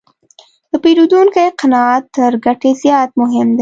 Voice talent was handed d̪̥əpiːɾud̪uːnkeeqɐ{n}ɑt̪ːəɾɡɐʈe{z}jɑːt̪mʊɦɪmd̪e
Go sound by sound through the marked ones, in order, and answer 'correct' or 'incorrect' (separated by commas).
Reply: correct, correct